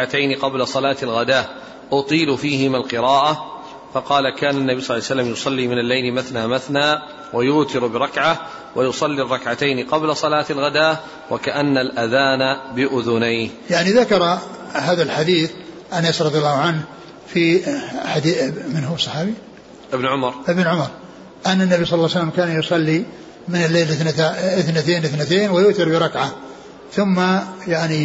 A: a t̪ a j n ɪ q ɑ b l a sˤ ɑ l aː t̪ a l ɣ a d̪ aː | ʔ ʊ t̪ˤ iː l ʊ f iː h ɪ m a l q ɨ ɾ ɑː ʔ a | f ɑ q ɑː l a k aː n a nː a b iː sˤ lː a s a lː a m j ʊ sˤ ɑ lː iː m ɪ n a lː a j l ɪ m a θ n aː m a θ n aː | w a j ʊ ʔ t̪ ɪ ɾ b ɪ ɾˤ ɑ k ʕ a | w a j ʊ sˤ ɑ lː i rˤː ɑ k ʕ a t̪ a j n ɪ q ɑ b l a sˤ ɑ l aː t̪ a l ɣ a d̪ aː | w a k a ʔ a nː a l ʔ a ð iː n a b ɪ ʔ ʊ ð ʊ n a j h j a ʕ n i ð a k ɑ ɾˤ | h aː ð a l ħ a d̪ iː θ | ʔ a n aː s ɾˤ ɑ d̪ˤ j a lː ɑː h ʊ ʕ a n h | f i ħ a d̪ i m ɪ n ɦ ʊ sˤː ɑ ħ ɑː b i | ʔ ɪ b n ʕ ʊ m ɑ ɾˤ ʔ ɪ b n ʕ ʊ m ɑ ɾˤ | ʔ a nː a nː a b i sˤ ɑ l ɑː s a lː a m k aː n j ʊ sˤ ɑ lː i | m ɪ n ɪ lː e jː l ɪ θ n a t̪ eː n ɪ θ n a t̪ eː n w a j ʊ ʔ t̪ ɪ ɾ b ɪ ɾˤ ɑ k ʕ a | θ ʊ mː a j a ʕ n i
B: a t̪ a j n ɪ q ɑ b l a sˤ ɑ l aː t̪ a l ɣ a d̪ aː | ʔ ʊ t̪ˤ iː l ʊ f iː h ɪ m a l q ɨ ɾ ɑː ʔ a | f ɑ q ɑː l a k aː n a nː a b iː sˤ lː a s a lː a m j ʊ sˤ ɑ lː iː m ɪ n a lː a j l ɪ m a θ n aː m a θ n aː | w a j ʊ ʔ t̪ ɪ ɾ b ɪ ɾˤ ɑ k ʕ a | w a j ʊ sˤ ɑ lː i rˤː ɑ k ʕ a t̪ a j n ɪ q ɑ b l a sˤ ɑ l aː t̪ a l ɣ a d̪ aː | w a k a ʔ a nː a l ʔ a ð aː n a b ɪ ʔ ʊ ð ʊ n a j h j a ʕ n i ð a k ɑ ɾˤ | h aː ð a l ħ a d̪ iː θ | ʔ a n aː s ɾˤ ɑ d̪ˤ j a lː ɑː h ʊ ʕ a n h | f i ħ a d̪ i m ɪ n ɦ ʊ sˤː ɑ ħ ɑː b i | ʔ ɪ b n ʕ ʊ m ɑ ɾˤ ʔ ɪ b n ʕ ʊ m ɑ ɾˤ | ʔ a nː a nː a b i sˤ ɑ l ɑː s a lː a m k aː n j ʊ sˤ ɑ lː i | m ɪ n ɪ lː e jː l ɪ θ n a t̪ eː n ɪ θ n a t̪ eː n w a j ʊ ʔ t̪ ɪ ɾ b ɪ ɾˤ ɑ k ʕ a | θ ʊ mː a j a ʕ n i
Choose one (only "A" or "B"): B